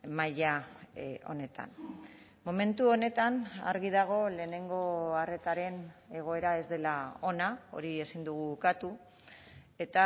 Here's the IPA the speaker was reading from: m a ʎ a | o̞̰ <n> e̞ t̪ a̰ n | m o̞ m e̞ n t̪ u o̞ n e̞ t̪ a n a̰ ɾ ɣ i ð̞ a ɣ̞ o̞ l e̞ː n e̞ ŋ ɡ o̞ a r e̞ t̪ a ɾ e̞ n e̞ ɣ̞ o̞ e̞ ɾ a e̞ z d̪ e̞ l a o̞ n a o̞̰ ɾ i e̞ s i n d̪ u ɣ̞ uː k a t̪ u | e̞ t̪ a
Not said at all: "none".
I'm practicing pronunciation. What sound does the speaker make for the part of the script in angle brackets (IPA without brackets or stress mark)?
n